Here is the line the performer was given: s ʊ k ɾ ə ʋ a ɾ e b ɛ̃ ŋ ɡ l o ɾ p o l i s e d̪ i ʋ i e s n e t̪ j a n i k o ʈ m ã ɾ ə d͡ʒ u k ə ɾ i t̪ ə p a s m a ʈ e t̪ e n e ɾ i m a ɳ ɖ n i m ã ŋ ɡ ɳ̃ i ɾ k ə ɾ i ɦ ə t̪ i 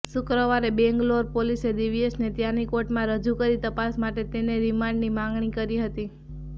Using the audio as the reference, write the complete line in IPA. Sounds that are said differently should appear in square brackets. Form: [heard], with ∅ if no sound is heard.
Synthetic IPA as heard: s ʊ k ɾ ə ʋ a ɾ e b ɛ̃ ŋ ɡ l o ɾ p o l i s e d̪ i ʋ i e s n e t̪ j a n i k o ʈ m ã ɾ ə d͡ʒ u k ə ɾ i t̪ ə p a s m a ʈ e t̪ e n e ɾ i m a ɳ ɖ n i m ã ŋ ɡ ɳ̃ i [∅] k ə ɾ i ɦ ə t̪ i

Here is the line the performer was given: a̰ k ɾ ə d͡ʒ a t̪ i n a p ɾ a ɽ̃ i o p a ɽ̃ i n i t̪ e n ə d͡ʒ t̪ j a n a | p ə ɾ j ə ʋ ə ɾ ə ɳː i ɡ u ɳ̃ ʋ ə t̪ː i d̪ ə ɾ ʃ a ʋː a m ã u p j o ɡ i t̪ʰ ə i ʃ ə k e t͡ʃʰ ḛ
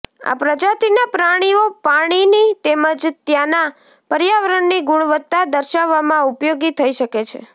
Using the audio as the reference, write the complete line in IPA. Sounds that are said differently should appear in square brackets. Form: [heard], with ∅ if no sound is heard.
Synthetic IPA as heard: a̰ [p] ɾ ə d͡ʒ a t̪ i n a p ɾ a ɽ̃ i o p a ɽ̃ i n i t̪ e [m] ə d͡ʒ t̪ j a n a | p ə ɾ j [a] ʋ ə ɾ ə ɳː i ɡ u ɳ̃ ʋ ə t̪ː [a] d̪ ə ɾ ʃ a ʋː a m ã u p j o ɡ i t̪ʰ ə i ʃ ə k e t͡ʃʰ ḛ

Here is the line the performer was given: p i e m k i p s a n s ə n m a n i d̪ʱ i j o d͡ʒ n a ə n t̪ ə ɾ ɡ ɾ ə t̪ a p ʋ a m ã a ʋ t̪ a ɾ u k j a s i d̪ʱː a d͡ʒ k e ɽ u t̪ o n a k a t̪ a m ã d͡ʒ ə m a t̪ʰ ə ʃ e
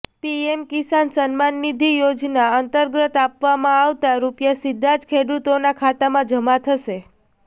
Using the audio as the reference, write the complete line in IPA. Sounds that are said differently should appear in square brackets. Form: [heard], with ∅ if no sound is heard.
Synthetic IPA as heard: p i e m k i [∅] s a n s ə n m a [nː] i d̪ʱ i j o d͡ʒ n a ə n t̪ ə ɾ ɡ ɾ ə t̪ a p ʋ a m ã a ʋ t̪ a ɾ u [p] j a s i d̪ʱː a d͡ʒ [kʰ] e ɽ u t̪ o n a [kʰ] a t̪ a m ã d͡ʒ ə m a t̪ʰ ə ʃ e

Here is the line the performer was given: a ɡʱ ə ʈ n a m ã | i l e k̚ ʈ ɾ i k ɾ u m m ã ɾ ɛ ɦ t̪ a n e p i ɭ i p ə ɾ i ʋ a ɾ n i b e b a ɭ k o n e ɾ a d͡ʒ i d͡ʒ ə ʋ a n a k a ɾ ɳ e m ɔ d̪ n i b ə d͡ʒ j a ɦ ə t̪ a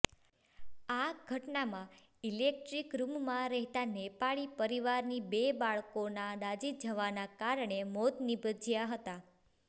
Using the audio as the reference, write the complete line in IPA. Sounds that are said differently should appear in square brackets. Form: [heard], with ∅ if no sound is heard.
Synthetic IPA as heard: a ɡʱ ə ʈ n a m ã | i l e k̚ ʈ ɾ i k ɾ u m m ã ɾ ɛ ɦ t̪ a n e p [a] ɭ i p ə ɾ i ʋ a ɾ n i b e b a ɭ k o n [a] ɾ a d͡ʒ i d͡ʒ ə ʋ a n a k a ɾ ɳ e m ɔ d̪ n i b ə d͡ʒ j a ɦ ə t̪ a

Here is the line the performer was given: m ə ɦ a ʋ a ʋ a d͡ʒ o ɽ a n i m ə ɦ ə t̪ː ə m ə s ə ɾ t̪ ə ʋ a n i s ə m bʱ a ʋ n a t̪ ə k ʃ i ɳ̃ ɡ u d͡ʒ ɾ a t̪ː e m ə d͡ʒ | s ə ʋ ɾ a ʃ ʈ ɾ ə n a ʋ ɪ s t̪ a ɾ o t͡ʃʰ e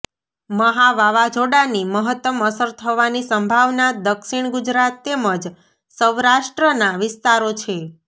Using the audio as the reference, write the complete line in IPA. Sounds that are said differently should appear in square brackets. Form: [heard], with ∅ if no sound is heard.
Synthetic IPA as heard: m ə ɦ a ʋ a ʋ a d͡ʒ o ɽ a n i m ə ɦ ə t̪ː ə m ə s ə ɾ [t̪ʰ] ə ʋ a n i s ə m bʱ a ʋ n a [d̪] ə k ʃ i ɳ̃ ɡ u d͡ʒ ɾ a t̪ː e m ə d͡ʒ | s ə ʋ ɾ a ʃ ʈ ɾ ə n a ʋ ɪ s t̪ a ɾ o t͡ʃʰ e

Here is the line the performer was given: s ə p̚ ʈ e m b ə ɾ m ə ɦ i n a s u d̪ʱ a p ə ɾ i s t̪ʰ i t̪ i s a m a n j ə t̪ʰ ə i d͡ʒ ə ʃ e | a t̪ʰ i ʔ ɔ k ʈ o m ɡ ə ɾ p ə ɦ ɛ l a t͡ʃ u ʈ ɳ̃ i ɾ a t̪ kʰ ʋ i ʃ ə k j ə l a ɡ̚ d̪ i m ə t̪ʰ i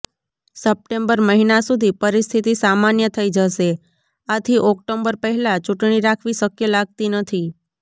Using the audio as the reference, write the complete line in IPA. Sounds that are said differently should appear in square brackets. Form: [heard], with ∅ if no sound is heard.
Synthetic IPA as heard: s ə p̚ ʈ e m b ə ɾ m ə ɦ i n a s u d̪ʱ [i] p ə ɾ i s t̪ʰ i t̪ i s a m a n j ə t̪ʰ ə i d͡ʒ ə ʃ e | a t̪ʰ i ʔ ɔ k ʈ o m [b] ə ɾ p ə ɦ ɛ l a t͡ʃ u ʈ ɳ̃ i ɾ a [∅] kʰ ʋ i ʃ ə k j ə l a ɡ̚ [t̪] i [n] ə t̪ʰ i

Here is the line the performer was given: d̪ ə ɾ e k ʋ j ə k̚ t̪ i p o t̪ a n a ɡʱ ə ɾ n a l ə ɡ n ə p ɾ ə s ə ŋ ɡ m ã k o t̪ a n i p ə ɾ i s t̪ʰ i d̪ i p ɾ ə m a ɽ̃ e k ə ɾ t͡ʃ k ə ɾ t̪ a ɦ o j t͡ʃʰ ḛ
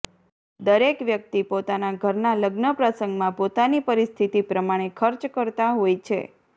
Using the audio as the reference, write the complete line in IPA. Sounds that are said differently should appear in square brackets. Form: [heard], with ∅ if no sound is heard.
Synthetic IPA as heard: d̪ ə ɾ e k ʋ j ə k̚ t̪ i p o t̪ a n a ɡʱ ə ɾ n a l ə ɡ n ə p ɾ ə s ə ŋ ɡ m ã [p] o t̪ a n i p ə ɾ i s t̪ʰ i [t̪] i p ɾ ə m a ɽ̃ e [kʰ] ə ɾ t͡ʃ k ə ɾ t̪ a ɦ o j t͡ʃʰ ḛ

